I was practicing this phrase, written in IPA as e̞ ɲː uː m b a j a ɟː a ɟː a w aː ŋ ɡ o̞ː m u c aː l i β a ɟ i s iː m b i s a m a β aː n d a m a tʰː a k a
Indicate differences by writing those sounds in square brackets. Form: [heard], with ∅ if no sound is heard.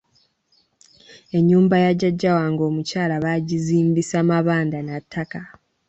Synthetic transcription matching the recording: e̞ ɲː uː m b a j a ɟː a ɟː a w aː ŋ ɡ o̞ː m u c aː l [a] β a ɟ i [z] iː m b i s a m a β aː n d a [n] a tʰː a k a